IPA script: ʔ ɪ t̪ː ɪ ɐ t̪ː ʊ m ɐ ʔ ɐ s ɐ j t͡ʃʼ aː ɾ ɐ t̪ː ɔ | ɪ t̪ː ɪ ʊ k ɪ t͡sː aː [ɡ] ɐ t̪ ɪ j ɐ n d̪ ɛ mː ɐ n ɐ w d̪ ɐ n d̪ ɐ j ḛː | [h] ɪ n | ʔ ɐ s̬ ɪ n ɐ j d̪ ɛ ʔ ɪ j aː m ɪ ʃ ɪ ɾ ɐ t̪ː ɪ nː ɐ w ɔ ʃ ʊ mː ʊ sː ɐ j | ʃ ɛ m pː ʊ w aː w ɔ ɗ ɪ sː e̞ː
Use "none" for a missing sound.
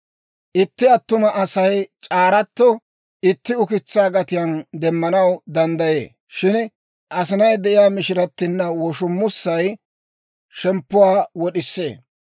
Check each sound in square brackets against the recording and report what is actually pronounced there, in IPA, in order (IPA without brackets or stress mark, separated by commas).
ɡ, ʃ